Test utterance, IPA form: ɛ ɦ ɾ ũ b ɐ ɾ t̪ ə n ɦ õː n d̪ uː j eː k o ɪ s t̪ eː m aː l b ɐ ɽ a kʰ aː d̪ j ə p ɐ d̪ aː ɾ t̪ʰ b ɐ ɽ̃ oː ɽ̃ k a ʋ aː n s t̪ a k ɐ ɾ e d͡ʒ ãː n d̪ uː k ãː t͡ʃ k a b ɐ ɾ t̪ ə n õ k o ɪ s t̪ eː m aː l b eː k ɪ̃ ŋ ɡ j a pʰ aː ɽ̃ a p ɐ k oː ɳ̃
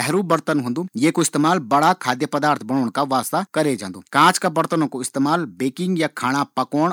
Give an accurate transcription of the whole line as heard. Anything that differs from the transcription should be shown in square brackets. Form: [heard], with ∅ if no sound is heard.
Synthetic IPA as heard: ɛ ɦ ɾ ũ b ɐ ɾ t̪ ə n ɦ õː n d̪ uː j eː k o ɪ s t̪ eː m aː l b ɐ ɽ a kʰ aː d̪ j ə p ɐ d̪ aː ɾ t̪ʰ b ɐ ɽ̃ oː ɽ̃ k a ʋ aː [∅] s t̪ a k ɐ ɾ e d͡ʒ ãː n d̪ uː k ãː t͡ʃ k a b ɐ ɾ t̪ ə n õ k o ɪ s t̪ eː m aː l b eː k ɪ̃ ŋ ɡ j a [kʰ] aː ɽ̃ a p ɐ k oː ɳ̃